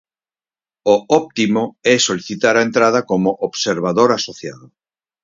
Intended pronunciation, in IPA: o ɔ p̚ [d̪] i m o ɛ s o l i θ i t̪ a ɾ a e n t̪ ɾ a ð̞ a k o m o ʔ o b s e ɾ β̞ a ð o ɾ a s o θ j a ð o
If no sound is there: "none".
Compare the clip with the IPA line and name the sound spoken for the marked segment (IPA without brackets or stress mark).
t̪